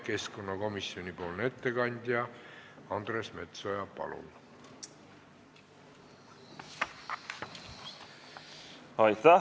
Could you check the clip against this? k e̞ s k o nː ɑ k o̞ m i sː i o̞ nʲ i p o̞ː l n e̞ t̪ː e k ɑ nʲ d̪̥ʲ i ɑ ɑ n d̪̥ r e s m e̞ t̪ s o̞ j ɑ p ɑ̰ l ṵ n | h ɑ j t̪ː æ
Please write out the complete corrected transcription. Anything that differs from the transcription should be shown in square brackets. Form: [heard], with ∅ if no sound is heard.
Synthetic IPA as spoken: k e̞ s k o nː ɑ k o̞ m i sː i o̞ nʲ i p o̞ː l n e̞ t̪ː e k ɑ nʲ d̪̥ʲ [j] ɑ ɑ n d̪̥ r e s m e̞ t̪ s o̞ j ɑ p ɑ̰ l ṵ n | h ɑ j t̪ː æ